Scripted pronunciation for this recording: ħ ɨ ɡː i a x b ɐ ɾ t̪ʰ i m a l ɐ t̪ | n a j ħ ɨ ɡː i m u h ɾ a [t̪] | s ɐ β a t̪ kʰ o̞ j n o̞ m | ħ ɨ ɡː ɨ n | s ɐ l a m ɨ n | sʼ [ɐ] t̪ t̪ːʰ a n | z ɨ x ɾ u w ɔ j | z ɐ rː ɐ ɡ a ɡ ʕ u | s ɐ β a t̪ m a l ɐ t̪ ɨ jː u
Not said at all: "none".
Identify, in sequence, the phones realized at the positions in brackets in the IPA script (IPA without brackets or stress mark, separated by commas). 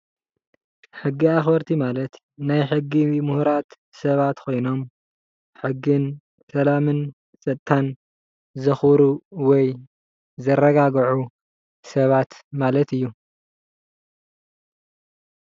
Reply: t̪, ɐ